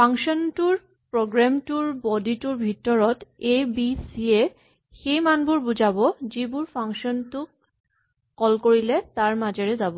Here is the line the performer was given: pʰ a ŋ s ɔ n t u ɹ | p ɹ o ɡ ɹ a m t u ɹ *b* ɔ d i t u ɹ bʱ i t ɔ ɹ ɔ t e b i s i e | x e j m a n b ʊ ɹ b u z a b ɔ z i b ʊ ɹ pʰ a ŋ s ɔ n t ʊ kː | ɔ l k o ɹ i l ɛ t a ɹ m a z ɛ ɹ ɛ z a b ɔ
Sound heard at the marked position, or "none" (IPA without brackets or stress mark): b